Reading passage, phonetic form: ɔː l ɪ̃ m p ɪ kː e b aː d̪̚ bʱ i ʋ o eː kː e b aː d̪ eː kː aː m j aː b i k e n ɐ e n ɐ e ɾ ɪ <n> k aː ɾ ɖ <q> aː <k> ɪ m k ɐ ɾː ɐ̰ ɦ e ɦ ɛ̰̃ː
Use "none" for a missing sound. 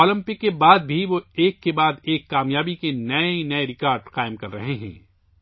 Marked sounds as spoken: none, q, none

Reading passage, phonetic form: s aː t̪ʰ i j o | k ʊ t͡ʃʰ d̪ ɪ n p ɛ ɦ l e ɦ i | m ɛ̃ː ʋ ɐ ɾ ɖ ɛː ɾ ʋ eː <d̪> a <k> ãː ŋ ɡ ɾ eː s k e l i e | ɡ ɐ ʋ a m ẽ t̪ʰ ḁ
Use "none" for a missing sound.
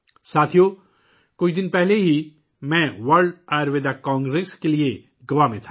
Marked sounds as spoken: d̪, k

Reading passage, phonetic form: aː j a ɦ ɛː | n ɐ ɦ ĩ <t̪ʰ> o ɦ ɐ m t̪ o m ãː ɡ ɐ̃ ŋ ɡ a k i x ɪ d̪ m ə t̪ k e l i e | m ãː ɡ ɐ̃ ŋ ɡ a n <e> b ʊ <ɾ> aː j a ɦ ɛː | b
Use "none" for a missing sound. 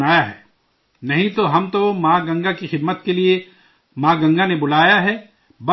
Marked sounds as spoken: t̪, e, l

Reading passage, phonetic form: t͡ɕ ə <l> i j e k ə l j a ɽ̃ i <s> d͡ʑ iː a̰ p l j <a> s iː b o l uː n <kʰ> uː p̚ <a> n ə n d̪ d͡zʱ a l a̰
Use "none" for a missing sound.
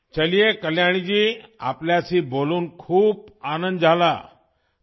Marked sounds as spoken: l, none, a, kʰ, a

